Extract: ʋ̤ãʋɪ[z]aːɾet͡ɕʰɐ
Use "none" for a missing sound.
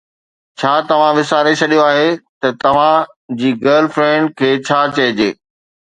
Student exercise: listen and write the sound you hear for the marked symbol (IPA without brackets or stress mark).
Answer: s